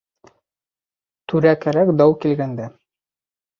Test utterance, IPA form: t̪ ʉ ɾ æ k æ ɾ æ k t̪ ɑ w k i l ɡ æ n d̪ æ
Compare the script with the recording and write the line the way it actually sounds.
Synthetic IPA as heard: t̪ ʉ ɾ æ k æ ɾ æ k d̪ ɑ w k i l ɡ æ n d̪ æ